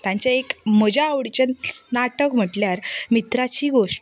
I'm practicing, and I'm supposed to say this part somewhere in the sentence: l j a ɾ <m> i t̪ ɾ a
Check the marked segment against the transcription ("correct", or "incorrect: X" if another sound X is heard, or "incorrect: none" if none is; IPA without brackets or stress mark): correct